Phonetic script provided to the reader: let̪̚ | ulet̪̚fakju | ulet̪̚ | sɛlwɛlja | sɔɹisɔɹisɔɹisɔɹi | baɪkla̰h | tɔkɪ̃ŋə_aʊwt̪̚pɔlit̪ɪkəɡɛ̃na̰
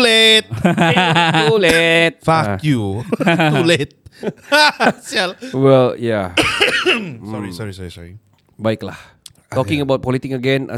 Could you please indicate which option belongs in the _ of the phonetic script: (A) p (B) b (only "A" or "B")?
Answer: B